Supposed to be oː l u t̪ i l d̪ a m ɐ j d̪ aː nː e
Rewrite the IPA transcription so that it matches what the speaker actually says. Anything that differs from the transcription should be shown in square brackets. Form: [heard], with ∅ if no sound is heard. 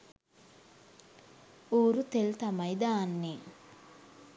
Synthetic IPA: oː [ɾ] u t̪ [e] l [t̪] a m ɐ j d̪ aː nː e

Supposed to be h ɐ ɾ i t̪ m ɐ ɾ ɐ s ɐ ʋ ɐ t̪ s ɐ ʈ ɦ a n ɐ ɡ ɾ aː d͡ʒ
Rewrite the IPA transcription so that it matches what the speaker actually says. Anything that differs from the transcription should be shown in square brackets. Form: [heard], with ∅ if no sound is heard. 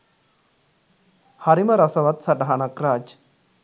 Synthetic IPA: h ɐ ɾ i [∅] m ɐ ɾ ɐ s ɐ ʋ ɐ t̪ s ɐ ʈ ɦ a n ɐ [k] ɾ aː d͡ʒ

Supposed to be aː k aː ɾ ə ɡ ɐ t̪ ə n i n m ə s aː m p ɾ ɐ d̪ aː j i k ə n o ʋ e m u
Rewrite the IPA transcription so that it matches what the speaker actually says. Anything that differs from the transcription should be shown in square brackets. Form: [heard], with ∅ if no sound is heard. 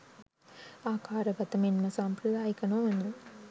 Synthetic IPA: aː k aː ɾ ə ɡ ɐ t̪ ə [m] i n m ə s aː m p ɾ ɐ d̪ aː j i k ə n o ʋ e [n] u

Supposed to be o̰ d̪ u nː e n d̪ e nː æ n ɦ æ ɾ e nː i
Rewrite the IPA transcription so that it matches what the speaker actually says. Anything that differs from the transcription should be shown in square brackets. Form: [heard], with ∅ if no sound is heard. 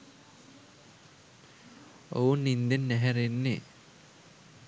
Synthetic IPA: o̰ [∅] u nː [i] n d̪ e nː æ [∅] ɦ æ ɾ e nː [e]

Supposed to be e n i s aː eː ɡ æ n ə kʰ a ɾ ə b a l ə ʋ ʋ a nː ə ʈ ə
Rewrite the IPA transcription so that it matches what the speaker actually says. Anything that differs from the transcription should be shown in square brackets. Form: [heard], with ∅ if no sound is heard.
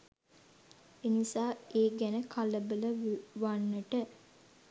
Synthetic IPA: e n i s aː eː ɡ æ n ə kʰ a [l] ə b [ə] l ə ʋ ʋ a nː ə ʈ ə

